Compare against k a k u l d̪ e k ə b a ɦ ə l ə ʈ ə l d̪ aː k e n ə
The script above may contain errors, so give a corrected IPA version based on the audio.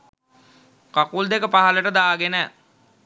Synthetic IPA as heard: k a k u l d̪ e k ə p a ɦ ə l ə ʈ ə d̪ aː ɡ e n ə